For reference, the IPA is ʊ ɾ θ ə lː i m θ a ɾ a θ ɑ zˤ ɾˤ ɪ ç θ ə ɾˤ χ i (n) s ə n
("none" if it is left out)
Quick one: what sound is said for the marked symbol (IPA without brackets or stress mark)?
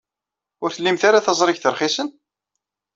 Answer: none